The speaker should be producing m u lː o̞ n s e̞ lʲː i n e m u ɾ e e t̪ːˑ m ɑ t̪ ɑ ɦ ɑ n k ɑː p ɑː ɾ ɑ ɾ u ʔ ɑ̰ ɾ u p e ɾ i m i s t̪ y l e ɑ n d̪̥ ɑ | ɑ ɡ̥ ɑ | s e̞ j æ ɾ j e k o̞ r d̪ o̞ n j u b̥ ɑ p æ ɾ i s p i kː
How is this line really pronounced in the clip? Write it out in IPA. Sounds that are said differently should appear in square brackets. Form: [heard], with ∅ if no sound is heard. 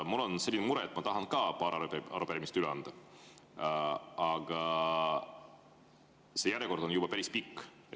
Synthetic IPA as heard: m u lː o̞ n s e̞ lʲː i n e m u ɾ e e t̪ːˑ m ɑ t̪ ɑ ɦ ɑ n k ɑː p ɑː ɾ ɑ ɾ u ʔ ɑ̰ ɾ u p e ɾ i m i s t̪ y l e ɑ n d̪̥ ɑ | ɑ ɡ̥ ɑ | s e̞ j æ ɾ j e k o̞ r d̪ o̞ n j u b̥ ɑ p æ ɾ i s p i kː